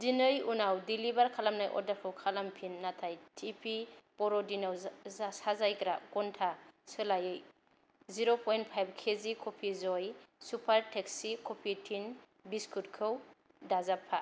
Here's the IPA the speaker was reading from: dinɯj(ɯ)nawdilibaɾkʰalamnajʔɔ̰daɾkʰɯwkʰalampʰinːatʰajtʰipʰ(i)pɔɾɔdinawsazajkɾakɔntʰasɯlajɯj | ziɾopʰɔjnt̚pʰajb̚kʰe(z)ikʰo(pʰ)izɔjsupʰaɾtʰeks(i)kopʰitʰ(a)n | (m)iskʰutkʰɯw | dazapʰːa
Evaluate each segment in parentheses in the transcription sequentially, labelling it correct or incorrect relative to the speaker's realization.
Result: incorrect, correct, correct, correct, correct, incorrect, incorrect

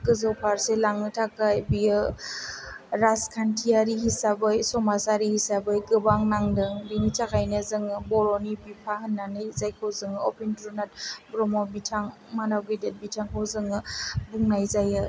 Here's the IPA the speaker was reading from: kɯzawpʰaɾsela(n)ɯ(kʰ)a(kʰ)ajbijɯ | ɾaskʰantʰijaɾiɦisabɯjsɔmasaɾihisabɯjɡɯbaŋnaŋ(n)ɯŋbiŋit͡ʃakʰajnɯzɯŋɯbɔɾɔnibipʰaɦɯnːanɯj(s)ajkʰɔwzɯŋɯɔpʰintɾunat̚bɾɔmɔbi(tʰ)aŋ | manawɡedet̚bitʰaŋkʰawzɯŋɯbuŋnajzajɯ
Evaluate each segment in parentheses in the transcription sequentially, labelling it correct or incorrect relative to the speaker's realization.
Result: incorrect, incorrect, incorrect, incorrect, incorrect, correct

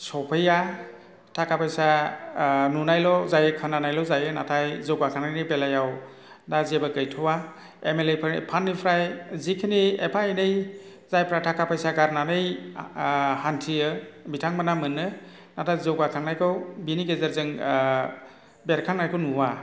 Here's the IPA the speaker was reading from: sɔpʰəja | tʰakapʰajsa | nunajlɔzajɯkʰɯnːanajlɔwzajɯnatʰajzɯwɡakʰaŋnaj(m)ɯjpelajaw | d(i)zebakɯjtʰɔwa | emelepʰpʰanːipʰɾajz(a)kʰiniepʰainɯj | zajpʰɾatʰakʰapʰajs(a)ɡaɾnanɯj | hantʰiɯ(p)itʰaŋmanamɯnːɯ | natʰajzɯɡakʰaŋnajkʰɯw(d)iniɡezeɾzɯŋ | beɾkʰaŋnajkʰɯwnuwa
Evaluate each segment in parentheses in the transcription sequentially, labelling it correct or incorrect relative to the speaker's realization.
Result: incorrect, incorrect, incorrect, correct, incorrect, incorrect

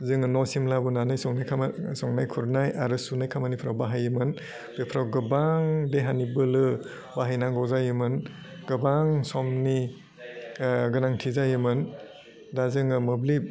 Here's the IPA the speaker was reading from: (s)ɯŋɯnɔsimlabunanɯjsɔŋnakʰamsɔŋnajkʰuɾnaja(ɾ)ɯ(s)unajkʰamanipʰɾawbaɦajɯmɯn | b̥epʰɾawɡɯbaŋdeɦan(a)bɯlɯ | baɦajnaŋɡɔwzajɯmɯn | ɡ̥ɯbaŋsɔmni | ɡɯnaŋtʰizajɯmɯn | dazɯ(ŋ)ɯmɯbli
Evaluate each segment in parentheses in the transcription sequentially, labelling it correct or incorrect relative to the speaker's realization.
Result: incorrect, correct, correct, incorrect, correct

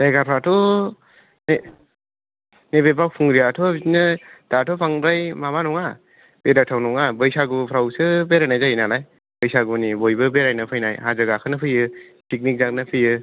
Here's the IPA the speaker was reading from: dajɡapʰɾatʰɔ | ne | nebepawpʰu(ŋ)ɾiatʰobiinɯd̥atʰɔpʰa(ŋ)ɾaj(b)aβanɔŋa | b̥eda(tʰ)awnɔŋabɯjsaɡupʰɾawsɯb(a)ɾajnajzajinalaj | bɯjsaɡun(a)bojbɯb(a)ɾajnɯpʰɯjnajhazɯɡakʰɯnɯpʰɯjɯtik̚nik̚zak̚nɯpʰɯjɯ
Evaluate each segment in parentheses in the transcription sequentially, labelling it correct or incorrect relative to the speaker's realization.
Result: correct, correct, incorrect, correct, incorrect, incorrect, incorrect

